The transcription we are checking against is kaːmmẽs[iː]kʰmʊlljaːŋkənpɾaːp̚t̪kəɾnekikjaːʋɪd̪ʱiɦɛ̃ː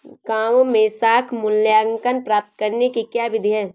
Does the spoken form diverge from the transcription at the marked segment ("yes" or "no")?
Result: yes